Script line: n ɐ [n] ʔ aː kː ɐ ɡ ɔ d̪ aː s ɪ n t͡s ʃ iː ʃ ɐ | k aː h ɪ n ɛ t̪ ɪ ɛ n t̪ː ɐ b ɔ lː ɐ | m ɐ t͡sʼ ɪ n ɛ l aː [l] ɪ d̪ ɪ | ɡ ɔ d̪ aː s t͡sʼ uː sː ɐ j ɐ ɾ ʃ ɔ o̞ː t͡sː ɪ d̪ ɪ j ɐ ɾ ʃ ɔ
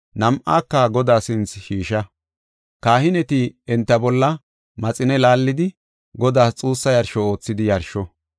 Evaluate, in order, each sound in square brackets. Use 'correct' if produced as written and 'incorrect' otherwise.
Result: incorrect, incorrect

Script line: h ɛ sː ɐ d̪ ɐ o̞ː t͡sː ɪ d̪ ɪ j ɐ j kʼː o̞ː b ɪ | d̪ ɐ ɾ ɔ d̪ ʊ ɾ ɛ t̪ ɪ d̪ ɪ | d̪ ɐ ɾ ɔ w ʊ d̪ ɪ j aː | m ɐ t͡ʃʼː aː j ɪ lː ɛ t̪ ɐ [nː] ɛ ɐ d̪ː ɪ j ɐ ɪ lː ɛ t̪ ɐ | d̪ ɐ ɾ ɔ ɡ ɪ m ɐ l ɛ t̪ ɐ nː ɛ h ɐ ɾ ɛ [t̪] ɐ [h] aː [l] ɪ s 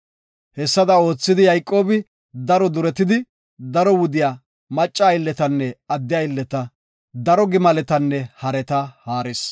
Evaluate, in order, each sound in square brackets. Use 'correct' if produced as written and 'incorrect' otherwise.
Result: correct, correct, correct, incorrect

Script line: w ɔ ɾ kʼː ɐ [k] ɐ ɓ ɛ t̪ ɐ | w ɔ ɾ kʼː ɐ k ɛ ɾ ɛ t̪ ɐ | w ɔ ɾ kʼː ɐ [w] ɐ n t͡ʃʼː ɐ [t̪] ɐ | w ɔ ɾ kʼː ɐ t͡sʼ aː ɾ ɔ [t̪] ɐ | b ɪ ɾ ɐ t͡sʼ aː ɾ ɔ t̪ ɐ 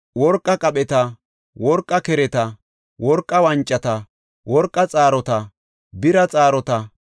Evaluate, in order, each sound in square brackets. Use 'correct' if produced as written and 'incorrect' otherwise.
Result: incorrect, correct, correct, correct

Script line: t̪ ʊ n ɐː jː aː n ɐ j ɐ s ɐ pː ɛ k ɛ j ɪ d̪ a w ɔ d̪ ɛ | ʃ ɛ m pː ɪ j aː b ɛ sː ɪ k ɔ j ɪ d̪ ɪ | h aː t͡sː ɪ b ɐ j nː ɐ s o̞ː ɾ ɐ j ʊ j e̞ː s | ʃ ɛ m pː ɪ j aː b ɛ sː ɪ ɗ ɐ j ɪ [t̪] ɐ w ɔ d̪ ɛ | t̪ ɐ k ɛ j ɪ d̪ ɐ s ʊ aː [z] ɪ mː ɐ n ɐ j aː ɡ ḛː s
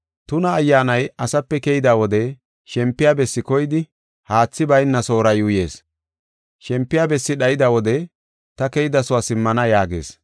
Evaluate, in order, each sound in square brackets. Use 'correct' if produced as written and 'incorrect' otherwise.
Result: incorrect, incorrect

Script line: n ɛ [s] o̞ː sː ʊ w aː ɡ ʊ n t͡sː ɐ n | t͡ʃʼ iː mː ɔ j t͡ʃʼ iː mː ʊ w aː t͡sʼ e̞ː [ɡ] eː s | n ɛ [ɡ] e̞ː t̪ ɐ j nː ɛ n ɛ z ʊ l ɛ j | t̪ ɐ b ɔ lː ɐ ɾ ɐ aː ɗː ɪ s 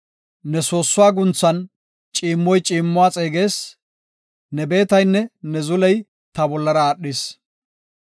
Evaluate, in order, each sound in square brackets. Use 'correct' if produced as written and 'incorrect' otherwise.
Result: correct, correct, incorrect

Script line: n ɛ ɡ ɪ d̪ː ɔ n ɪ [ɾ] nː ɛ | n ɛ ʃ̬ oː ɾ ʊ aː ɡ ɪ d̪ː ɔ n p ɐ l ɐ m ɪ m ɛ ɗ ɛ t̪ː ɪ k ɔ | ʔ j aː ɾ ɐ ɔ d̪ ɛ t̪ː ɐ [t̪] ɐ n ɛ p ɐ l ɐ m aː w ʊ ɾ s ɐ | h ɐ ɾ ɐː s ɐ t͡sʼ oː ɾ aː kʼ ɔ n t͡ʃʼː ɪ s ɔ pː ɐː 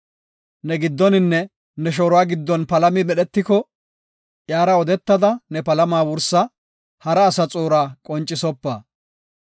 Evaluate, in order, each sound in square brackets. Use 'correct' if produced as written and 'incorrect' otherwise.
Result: incorrect, incorrect

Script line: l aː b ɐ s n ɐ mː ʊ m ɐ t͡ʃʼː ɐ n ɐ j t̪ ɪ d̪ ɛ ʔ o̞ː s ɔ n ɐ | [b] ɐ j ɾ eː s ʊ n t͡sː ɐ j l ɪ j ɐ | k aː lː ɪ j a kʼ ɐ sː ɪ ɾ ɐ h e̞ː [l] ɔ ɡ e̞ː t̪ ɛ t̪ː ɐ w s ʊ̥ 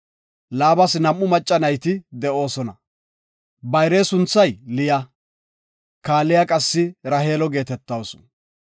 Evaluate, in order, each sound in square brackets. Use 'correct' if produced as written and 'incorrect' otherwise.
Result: correct, correct

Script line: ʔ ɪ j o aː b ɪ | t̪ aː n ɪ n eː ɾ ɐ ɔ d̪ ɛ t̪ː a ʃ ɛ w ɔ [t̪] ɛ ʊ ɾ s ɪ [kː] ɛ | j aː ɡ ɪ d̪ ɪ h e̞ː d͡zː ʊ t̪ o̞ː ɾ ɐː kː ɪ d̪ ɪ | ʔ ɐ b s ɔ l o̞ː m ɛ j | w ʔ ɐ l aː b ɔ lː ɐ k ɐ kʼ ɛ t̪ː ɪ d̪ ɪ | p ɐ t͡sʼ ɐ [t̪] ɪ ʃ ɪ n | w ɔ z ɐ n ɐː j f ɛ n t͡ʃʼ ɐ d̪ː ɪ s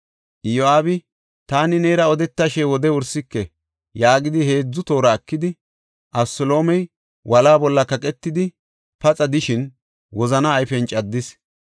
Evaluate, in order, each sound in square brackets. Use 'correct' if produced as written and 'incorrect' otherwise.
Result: incorrect, correct, incorrect

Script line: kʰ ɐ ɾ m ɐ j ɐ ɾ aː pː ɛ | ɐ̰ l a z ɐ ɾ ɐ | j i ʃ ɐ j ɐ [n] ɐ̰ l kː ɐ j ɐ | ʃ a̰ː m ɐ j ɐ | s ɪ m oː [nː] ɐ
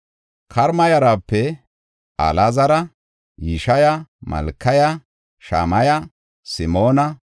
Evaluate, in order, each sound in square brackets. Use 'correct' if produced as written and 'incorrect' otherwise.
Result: incorrect, incorrect

